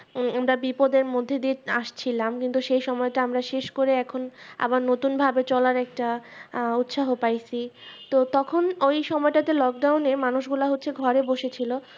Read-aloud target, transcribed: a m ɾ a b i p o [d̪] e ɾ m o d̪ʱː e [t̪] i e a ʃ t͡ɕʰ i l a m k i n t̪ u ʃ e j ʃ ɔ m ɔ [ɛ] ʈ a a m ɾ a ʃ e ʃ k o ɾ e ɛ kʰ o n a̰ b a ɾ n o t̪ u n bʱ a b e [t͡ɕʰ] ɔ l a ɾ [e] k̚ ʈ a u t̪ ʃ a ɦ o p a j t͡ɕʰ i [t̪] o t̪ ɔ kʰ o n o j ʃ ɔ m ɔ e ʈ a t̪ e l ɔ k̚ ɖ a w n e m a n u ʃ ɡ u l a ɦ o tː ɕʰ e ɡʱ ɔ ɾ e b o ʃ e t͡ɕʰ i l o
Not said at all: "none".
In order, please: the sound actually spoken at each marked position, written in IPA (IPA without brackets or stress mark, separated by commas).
d̪, d̪, e, t͡ɕ, ɛ, t̪